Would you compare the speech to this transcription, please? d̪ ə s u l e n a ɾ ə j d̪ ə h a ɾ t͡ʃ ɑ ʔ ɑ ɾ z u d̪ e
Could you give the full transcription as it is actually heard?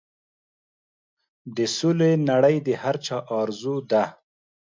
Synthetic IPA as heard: d̪ ə s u l e n a ɽ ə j d̪ ə h a ɾ t͡ʃ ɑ ʔ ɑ ɾ z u d̪ a